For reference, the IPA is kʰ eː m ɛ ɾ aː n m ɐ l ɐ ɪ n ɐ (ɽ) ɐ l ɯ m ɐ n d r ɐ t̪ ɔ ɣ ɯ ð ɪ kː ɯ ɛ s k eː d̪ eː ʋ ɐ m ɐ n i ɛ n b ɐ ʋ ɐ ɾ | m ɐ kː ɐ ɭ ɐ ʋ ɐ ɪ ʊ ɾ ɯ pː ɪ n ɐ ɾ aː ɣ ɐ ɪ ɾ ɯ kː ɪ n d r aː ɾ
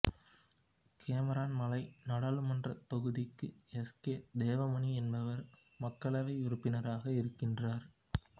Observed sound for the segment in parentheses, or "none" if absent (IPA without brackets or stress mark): ɽ